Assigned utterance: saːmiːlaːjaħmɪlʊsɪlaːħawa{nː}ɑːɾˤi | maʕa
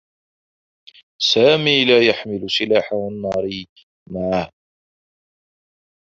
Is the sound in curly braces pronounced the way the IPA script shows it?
yes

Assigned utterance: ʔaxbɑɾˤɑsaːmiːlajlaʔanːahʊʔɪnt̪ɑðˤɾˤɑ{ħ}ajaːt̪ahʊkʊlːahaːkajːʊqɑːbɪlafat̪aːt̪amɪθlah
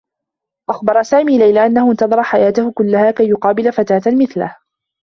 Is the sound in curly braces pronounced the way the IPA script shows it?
yes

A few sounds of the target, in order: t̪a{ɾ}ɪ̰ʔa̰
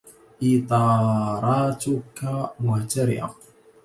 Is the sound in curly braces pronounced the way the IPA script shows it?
yes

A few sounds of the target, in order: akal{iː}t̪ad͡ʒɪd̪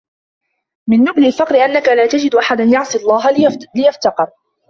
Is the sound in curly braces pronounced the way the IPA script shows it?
no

